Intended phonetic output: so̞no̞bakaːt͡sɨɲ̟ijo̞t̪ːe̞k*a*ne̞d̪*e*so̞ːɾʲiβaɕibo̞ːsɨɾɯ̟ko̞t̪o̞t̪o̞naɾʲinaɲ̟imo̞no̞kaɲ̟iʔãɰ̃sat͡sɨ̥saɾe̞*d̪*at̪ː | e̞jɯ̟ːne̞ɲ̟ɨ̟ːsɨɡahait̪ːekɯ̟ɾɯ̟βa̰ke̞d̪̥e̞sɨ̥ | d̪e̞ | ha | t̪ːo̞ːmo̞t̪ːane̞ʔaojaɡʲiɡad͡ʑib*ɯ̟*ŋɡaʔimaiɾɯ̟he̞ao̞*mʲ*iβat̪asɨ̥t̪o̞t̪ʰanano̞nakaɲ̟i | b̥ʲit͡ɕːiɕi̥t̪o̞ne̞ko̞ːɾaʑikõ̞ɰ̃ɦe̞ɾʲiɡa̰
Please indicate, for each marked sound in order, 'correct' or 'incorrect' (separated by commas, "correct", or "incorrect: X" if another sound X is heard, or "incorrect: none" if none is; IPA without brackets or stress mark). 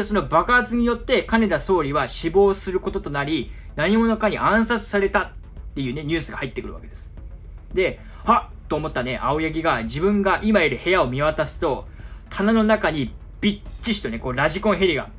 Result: correct, incorrect: a, incorrect: t̪, incorrect: ɯ̟̃, correct